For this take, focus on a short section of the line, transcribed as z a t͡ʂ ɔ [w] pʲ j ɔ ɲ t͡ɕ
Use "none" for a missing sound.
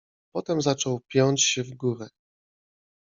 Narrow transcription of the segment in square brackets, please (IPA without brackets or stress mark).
w